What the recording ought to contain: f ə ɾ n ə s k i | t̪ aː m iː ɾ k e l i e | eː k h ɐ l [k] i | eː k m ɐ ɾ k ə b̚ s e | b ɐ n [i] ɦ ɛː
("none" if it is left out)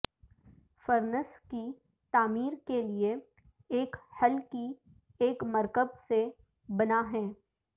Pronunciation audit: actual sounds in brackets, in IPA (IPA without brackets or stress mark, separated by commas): k, a